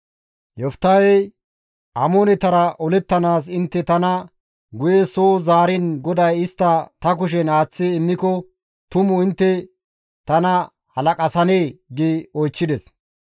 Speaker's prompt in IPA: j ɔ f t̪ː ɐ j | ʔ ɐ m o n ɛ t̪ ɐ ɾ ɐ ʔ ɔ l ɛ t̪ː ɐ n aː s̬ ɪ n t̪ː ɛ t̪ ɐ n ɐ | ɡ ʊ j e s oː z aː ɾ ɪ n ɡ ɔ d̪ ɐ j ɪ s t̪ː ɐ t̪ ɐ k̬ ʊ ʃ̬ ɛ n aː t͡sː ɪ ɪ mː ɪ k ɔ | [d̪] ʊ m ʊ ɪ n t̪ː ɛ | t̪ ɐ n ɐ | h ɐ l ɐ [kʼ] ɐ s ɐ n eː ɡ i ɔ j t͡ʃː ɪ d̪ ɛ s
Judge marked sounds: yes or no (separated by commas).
no, yes